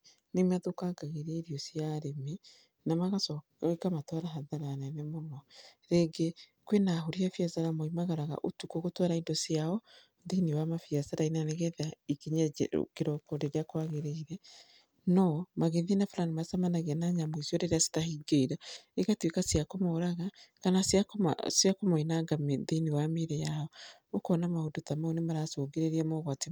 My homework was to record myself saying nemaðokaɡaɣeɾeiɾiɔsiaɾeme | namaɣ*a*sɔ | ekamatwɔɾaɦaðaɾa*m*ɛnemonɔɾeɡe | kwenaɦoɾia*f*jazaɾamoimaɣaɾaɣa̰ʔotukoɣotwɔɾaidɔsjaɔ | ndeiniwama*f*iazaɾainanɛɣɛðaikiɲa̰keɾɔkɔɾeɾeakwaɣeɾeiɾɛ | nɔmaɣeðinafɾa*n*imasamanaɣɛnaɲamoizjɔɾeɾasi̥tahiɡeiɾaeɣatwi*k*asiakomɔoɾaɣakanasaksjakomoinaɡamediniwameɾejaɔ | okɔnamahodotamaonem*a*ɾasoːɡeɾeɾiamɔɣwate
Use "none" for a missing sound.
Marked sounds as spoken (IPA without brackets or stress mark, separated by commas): a, n, f, f, n, k, a